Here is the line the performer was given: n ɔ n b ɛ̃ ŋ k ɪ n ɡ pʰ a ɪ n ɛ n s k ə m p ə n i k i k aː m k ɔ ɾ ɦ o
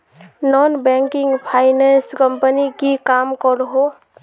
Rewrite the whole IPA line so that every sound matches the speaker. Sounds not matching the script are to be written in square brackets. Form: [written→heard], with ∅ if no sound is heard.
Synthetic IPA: n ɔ n b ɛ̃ ŋ k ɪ [n→ŋ] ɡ pʰ a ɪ n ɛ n s k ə m p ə n i k i k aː m k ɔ ɾ ɦ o